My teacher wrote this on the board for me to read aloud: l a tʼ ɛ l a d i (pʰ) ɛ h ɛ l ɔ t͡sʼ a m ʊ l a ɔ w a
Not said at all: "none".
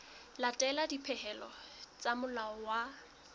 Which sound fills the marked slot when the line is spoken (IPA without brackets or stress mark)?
pʰ